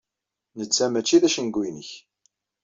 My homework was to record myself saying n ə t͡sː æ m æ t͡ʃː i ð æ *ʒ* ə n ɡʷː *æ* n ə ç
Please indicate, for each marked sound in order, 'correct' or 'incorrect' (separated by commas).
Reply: incorrect, incorrect